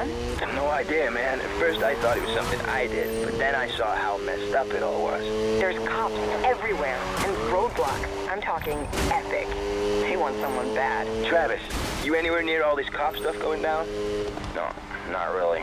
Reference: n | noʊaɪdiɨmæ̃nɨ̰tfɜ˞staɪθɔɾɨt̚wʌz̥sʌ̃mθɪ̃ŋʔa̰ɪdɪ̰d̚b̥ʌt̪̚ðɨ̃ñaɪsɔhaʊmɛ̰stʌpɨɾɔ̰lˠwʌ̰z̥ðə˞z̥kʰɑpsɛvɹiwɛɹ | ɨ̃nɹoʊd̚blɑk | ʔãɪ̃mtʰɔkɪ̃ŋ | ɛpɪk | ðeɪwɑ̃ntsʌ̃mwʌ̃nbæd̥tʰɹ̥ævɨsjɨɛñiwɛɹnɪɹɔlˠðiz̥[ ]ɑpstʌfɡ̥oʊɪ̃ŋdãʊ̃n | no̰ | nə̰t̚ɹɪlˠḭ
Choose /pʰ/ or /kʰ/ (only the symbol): kʰ